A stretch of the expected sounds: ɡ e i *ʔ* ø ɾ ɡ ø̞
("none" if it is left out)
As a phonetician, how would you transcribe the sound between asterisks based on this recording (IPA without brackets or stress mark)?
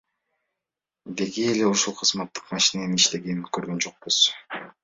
k